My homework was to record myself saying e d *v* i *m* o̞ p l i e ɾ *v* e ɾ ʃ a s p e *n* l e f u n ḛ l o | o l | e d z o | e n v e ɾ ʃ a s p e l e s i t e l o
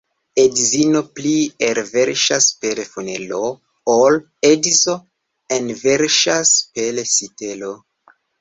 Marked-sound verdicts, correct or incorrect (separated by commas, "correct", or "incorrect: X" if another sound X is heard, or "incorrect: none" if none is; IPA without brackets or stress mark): incorrect: z, incorrect: n, correct, incorrect: none